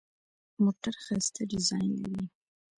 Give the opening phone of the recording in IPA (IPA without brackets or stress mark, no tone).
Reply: m